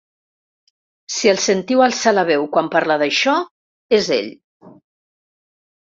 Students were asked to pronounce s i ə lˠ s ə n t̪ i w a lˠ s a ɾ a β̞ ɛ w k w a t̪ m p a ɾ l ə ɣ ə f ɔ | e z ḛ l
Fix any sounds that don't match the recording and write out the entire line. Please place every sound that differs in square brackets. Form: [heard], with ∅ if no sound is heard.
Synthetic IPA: s i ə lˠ s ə n t̪ i w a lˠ s a [l] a β̞ ɛ w k w a [∅] m p a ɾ l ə [ð] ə [ʃ] ɔ | e z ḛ [ʎ]